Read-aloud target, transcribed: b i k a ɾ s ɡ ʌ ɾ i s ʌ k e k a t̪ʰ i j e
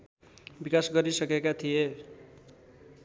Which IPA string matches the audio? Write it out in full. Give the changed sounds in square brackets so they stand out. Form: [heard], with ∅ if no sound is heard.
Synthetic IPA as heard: b i k a [∅] s ɡ ʌ ɾ i s ʌ k e k a t̪ʰ i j e